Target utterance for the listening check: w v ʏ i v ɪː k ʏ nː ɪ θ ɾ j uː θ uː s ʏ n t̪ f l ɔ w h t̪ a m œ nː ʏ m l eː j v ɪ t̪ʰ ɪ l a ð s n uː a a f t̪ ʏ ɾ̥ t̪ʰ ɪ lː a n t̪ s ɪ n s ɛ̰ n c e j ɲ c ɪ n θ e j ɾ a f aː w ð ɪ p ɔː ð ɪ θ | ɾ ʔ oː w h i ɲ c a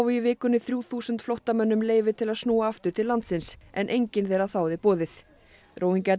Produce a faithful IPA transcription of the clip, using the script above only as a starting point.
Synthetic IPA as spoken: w v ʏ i v ɪː k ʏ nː ɪ θ ɾ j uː θ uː s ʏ n t̪ f l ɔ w h t̪ a m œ nː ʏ m l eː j v ɪ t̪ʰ ɪ l a ð s n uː a a f t̪ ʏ ɾ̥ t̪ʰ ɪ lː a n t̪ s ɪ n s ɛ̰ n ʔ e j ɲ c ɪ n θ e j ɾ a θ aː w ð ɪ p ɔː ð ɪ θ | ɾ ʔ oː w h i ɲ c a